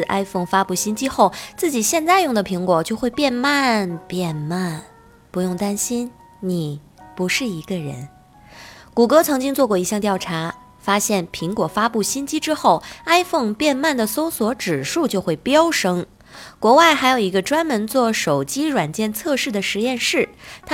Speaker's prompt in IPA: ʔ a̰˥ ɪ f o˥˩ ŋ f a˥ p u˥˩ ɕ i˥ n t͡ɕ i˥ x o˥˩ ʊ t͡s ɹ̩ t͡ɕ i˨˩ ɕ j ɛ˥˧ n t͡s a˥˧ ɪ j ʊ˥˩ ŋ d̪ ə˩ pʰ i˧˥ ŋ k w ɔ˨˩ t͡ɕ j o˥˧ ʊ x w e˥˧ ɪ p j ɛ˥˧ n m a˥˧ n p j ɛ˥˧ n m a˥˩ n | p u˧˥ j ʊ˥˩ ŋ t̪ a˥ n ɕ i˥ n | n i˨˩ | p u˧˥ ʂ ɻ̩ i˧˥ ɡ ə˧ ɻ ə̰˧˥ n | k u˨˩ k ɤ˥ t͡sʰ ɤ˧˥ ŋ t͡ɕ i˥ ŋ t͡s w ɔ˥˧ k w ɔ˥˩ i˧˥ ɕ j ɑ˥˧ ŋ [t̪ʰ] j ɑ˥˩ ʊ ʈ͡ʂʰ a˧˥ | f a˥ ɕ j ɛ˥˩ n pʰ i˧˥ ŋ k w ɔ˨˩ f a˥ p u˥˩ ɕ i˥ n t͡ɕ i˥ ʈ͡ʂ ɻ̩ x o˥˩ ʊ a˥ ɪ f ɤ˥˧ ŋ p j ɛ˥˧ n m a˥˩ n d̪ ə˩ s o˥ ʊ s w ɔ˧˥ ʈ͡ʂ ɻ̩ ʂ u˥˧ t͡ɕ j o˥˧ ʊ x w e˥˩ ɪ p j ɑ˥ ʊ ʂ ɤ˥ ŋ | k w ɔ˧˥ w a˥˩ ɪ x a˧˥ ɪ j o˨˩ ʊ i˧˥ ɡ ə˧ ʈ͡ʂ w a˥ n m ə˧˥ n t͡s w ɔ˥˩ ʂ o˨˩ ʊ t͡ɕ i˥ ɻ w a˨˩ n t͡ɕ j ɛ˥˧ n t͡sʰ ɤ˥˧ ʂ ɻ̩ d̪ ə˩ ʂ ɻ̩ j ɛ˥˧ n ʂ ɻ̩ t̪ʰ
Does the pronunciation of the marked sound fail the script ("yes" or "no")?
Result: yes